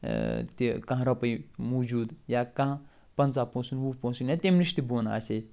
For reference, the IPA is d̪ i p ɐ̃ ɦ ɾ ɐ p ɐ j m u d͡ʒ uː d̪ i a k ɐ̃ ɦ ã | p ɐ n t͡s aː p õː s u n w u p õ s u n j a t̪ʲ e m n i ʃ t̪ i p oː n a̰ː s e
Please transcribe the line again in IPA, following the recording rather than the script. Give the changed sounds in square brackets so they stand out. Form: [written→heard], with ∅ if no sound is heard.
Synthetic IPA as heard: [d̪→t̪] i [p→k] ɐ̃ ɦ ɾ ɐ p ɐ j m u d͡ʒ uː d̪ [i→j] a k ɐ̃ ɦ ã | p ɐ n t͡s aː p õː s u n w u p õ s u n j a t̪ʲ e m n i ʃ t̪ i [p→b] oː n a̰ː s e